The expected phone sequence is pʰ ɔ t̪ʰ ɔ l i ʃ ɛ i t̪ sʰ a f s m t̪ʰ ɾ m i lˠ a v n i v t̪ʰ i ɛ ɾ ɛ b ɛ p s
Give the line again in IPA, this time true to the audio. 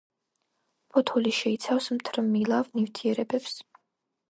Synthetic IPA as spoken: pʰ ɔ t̪ʰ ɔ l i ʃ ɛ i t̪ sʰ a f s m t̪ʰ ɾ m i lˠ a v n i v t̪ʰ i ɛ ɾ ɛ b ɛ p s